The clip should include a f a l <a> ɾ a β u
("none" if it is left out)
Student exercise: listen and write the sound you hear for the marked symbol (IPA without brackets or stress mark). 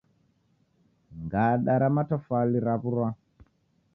i